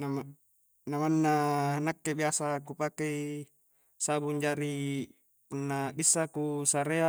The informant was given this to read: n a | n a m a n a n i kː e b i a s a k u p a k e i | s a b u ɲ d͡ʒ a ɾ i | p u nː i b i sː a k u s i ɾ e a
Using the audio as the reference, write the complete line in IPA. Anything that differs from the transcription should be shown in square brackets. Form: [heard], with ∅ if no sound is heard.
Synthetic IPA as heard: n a | n a m a [nː] a n [a] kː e b i a s a k u p a k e i | s a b u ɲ d͡ʒ a ɾ i | p u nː [a] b i sː a k u s [a] ɾ e a